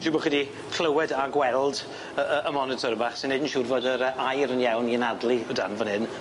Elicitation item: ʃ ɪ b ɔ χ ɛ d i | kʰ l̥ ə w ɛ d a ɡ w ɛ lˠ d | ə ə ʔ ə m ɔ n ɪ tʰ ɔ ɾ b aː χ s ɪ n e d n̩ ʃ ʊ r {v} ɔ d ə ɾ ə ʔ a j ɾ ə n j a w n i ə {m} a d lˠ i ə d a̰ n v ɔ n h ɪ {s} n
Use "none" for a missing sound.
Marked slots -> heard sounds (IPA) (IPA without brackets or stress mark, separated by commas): v, n, none